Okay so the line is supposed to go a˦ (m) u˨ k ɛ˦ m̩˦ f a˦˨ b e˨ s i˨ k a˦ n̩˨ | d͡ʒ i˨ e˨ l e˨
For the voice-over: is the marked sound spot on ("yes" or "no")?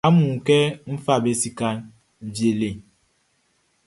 yes